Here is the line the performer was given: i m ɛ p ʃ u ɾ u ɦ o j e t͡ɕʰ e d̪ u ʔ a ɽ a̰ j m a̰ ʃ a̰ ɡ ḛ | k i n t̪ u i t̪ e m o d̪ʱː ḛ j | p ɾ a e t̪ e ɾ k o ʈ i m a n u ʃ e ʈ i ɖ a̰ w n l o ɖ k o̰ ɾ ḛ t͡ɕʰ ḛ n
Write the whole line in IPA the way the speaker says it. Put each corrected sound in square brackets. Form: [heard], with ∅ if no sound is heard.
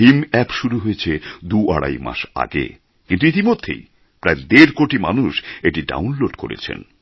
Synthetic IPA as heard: i m ɛ p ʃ u ɾ u ɦ o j e t͡ɕʰ e d̪ u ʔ a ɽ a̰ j m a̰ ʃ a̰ ɡ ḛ | k i n t̪ u i t̪ [i] m o d̪ʱː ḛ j | p ɾ a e [d̪] e ɾ k o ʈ i m a n u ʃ e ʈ i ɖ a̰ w n l o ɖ k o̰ ɾ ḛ t͡ɕʰ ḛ n